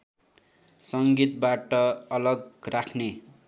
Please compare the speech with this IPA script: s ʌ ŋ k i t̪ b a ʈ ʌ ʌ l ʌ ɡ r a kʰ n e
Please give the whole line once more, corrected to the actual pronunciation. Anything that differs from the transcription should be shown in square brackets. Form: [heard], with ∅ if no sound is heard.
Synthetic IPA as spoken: s ʌ ŋ [ɡ] i t̪ b a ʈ ʌ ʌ l ʌ ɡ r a kʰ n e